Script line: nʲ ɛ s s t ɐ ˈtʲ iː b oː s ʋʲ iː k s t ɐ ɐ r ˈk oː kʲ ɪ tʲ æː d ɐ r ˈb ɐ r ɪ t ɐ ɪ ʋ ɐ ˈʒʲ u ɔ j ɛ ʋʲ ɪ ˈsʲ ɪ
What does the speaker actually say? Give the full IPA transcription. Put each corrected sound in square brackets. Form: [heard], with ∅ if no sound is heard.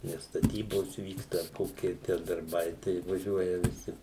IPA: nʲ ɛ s s t ɐ ˈtʲ iː b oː s ʋʲ iː k s t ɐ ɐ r ˈk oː kʲ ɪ tʲ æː d ɐ r ˈb ɐ [∅] ɪ t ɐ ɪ ʋ ɐ ˈʒʲ u ɔ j ɛ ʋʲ ɪ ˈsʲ ɪ